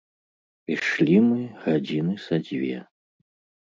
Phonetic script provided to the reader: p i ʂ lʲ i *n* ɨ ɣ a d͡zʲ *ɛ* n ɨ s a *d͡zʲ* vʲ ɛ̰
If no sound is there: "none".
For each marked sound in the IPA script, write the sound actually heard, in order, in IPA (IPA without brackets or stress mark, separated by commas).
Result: m, i, d͡zʲ